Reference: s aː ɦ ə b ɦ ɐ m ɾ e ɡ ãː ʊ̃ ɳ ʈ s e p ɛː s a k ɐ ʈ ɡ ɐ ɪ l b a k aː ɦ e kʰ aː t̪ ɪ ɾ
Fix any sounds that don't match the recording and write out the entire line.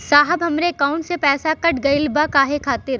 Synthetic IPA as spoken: s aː ɦ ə b ɦ ɐ m ɾ e k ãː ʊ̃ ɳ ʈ s e p ɛː s a k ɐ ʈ ɡ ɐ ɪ l b a k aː ɦ e kʰ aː t̪ ɪ ɾ